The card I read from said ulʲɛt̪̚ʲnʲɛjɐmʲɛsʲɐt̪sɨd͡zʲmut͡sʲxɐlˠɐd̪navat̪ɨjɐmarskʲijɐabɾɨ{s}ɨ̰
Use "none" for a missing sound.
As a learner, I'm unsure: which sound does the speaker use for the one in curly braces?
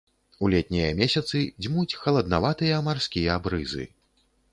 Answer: z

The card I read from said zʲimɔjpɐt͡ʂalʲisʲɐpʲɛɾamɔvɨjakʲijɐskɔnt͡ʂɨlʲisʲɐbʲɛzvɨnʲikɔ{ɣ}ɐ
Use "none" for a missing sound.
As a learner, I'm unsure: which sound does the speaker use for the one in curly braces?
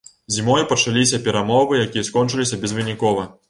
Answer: v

